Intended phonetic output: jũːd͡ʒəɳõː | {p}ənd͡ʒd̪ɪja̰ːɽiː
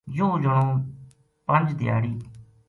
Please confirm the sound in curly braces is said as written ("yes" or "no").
yes